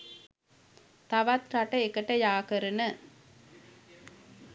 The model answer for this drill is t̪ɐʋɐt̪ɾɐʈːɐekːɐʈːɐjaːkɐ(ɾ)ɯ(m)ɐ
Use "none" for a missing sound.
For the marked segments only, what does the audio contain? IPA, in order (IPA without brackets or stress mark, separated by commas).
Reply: ɾ, n